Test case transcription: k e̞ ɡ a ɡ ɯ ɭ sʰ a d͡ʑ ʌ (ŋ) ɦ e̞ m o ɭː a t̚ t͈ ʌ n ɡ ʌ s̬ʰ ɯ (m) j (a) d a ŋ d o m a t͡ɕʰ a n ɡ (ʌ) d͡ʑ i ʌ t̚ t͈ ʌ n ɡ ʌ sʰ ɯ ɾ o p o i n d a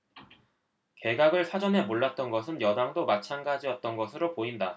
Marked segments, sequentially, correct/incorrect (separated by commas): incorrect, incorrect, incorrect, incorrect